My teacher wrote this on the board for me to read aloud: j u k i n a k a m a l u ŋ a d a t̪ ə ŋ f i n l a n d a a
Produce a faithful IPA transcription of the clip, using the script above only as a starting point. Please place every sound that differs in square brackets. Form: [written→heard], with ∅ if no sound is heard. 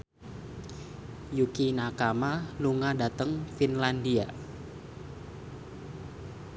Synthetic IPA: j u k i n a k a m a l u ŋ a d a t̪ ə ŋ f i n l a n d [a→i] a